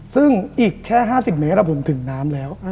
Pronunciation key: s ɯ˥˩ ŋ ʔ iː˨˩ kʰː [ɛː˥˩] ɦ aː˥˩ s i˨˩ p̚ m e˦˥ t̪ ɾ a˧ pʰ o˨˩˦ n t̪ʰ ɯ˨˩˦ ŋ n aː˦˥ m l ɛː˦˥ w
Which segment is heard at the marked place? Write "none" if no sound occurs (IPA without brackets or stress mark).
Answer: ɛː˥˩